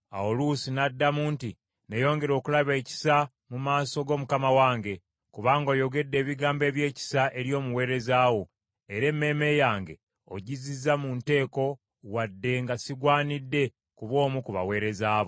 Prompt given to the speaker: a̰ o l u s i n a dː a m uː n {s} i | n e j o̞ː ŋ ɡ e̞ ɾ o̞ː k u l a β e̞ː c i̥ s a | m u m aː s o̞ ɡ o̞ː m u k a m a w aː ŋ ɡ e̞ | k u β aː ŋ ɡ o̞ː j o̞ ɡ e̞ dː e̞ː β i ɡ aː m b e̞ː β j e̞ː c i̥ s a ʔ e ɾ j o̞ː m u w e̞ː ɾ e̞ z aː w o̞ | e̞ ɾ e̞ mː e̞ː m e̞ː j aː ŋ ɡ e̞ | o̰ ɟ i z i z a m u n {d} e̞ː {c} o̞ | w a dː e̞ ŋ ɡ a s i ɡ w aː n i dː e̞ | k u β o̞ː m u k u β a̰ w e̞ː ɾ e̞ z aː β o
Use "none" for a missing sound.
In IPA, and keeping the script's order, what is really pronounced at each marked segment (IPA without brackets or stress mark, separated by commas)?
t, t, k